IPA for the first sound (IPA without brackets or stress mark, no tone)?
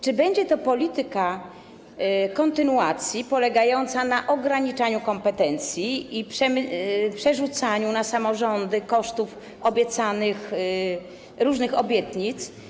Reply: t͡ʂ